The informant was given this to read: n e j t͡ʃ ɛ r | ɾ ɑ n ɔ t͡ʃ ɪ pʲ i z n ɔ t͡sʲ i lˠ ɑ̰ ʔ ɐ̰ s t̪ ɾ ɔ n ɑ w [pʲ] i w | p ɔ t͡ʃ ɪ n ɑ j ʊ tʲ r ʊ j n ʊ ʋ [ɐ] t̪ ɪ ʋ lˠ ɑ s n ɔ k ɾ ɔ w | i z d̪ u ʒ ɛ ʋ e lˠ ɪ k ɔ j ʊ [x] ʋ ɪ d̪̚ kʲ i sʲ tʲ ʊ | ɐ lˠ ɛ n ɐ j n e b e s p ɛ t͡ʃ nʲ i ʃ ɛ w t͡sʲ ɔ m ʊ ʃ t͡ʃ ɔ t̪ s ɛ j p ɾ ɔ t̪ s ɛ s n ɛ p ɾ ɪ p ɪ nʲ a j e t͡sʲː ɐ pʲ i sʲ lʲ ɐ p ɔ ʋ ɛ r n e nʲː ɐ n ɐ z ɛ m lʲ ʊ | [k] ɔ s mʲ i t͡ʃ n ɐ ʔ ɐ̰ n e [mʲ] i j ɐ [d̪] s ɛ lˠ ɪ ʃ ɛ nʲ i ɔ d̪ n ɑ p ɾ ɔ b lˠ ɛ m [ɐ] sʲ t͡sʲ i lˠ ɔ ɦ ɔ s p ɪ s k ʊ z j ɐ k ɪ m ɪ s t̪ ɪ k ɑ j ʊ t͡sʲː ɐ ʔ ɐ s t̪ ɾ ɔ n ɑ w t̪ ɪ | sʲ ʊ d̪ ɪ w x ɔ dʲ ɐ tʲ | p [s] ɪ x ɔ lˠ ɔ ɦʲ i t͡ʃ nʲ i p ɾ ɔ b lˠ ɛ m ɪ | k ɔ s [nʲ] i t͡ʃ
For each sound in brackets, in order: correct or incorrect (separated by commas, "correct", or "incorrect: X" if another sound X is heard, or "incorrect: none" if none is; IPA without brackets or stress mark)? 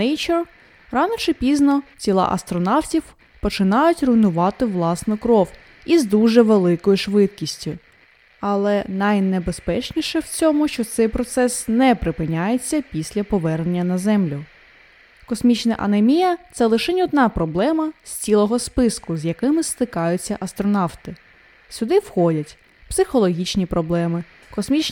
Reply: incorrect: tʲ, incorrect: ɑ, incorrect: ʃ, correct, correct, incorrect: t̪, correct, correct, incorrect: mʲ